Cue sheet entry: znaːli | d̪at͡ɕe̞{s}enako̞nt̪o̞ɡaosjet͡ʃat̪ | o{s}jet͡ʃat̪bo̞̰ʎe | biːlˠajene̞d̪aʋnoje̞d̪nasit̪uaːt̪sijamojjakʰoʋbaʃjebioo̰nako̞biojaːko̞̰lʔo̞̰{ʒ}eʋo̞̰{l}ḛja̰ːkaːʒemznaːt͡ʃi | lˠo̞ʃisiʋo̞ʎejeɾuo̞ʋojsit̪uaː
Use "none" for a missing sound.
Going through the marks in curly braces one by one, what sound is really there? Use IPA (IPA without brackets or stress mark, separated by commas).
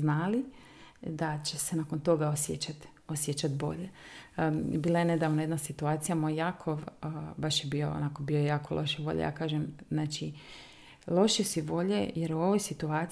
s, s, ʃ, ʎ